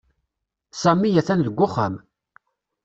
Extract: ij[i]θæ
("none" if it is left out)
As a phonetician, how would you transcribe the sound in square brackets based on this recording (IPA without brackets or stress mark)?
æ